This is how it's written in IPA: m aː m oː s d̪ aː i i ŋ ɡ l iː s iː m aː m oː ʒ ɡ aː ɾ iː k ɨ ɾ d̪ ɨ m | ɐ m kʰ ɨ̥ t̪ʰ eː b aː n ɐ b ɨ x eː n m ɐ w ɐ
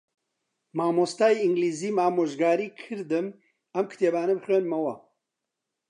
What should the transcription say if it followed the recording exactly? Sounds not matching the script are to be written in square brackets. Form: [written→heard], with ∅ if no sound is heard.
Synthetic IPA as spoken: m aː m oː s [d̪→t̪] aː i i ŋ ɡ l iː [s→z] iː m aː m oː ʒ ɡ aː ɾ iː [k→kʰ] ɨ ɾ d̪ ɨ m | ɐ m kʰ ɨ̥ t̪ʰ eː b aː n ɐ b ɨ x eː n m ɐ w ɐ